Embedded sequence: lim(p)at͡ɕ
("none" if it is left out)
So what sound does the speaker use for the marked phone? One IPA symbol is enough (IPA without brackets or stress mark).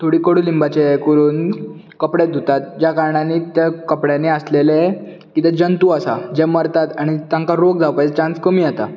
b